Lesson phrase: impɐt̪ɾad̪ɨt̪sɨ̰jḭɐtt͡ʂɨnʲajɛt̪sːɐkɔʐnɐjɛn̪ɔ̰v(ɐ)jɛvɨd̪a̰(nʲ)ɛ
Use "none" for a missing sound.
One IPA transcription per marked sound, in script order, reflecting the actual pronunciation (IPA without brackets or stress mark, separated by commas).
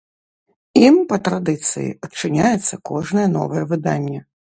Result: ɐ, nʲː